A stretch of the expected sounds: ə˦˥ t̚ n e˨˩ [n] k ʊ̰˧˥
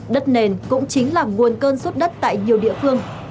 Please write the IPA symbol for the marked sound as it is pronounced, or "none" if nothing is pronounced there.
n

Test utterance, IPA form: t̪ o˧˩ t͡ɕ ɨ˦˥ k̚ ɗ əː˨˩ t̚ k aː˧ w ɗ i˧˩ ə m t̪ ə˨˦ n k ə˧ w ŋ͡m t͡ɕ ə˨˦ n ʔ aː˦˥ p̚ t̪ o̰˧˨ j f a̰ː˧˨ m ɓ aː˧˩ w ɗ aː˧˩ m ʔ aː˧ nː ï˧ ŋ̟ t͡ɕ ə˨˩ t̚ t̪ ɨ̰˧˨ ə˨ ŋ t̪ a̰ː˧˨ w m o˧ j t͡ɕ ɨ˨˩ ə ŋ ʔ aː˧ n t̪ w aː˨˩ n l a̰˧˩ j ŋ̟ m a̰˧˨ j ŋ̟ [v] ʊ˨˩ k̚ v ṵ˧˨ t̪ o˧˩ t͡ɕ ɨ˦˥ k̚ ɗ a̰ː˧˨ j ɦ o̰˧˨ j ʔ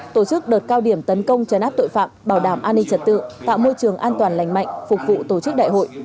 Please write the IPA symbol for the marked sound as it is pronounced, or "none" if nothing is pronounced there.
f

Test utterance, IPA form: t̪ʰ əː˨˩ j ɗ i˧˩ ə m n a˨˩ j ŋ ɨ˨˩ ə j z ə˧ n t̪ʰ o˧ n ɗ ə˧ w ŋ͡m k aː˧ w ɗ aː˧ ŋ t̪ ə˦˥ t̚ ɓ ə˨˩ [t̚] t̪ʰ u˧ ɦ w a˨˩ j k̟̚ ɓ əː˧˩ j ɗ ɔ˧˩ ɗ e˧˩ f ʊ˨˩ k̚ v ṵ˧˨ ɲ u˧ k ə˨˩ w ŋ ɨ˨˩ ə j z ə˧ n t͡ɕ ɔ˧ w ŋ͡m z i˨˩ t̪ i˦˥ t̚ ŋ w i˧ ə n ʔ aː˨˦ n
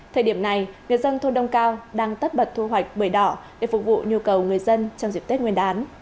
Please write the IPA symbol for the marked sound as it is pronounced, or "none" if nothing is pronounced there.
t̚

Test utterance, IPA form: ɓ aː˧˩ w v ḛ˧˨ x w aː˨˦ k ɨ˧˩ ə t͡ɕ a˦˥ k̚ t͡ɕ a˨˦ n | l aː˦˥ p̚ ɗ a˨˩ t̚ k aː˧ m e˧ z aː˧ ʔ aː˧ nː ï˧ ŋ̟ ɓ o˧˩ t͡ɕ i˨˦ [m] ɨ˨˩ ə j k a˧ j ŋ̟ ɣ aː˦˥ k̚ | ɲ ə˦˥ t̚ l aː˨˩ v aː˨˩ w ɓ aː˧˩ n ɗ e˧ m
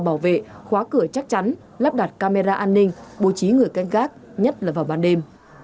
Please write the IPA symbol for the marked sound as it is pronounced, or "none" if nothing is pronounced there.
ŋ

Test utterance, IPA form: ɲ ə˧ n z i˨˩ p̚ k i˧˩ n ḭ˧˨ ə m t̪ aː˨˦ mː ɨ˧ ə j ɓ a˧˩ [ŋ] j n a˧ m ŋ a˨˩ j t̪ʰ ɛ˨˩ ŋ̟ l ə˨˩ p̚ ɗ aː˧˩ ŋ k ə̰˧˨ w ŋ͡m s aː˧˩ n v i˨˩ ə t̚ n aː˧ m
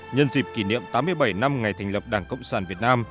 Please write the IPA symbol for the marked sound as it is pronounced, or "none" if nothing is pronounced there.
none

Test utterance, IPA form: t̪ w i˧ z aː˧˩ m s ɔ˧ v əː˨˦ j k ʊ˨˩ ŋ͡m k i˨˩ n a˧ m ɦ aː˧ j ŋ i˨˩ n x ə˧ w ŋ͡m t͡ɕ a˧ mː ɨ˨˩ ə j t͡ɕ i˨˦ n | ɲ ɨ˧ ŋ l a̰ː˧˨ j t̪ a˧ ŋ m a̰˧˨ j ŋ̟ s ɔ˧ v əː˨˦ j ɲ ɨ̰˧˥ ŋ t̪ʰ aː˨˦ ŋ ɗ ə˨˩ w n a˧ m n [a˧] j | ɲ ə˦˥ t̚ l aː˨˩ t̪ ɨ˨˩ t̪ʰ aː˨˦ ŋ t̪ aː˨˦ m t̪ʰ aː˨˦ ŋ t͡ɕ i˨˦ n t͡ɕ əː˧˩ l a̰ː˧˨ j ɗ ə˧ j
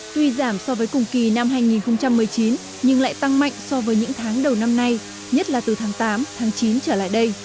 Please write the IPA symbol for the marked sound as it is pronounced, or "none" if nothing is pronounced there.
a˧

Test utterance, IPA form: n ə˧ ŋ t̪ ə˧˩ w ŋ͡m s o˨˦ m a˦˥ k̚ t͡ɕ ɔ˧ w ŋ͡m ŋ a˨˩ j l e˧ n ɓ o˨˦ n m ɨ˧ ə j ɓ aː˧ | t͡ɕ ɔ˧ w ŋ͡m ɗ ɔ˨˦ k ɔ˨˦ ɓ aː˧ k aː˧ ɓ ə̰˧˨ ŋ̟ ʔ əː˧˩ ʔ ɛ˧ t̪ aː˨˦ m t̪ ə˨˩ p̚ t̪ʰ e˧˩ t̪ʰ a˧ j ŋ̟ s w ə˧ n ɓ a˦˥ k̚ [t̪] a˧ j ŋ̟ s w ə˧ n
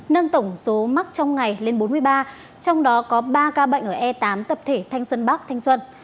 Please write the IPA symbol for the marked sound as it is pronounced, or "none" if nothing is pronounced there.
t̪ʰ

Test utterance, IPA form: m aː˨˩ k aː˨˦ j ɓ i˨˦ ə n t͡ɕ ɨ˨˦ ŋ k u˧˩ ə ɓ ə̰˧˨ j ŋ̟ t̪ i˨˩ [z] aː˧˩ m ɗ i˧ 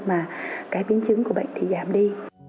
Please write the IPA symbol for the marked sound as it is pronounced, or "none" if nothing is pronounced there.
z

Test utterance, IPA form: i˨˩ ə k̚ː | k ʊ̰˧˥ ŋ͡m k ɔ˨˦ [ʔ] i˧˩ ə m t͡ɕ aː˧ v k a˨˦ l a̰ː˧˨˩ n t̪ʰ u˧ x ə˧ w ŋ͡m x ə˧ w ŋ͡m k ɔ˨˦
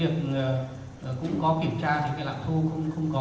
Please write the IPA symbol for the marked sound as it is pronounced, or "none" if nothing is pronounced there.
k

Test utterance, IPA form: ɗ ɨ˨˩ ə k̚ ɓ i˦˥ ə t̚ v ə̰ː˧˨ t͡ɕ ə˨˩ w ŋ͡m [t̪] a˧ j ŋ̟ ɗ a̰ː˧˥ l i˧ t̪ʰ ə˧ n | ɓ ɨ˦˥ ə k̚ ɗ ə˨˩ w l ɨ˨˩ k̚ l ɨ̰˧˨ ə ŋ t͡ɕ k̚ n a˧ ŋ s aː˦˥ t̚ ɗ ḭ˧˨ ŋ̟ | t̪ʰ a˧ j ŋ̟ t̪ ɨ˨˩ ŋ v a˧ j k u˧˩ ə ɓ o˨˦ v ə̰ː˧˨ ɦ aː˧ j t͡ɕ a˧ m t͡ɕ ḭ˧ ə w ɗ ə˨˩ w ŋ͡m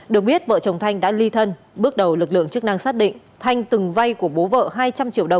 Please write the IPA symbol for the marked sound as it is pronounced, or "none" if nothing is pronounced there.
t̪ʰ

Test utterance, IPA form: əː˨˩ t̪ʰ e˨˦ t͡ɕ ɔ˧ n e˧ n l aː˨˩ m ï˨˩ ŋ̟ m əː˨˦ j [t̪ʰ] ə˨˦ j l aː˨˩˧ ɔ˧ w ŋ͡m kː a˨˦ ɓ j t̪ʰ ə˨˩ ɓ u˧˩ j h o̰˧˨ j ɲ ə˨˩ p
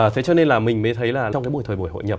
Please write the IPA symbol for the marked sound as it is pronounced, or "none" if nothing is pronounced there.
t̪ʰ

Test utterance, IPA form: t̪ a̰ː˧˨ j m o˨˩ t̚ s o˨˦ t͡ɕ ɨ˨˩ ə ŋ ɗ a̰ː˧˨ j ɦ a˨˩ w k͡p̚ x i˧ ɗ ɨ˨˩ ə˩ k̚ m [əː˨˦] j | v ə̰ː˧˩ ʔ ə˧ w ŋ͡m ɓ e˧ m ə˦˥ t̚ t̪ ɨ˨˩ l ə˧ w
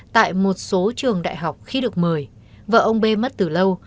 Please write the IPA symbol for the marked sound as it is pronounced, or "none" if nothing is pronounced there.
əː˨˩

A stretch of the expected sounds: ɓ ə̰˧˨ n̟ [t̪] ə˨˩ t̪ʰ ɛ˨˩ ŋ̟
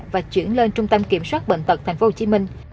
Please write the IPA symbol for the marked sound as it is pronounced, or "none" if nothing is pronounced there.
t̪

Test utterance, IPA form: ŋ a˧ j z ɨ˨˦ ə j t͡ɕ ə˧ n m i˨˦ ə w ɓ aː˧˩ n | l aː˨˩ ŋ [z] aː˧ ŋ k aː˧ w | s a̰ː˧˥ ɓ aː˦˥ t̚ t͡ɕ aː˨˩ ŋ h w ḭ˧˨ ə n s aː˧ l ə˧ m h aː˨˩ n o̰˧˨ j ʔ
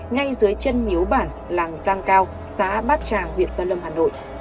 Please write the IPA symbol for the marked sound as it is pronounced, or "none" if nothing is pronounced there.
z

